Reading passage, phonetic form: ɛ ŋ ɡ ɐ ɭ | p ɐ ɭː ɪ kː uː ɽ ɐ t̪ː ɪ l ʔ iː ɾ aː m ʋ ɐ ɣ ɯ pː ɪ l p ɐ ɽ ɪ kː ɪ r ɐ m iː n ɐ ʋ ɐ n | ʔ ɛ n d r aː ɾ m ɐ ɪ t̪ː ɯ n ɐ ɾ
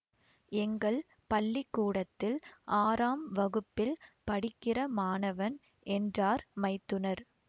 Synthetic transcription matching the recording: ɛ ŋ ɡ ɐ ɭ | p ɐ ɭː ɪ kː uː ɽ ɐ t̪ː ɪ l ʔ aː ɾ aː m ʋ ɐ ɣ ɯ pː ɪ l p ɐ ɽ ɪ kː ɪ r ɐ m aː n ɐ ʋ ɐ n | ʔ ɛ n d r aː ɾ m ɐ ɪ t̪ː ɯ n ɐ ɾ